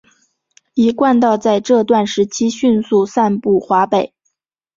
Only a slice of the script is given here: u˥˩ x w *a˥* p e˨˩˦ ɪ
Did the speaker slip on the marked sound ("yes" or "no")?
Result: yes